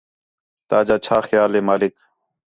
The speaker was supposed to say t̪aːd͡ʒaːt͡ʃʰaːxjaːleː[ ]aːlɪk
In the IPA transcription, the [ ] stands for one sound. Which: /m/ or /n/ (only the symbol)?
m